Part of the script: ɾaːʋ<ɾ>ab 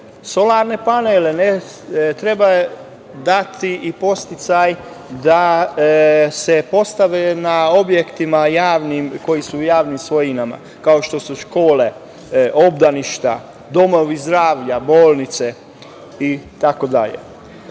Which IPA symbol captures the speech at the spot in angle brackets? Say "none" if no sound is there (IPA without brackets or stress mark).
ʎ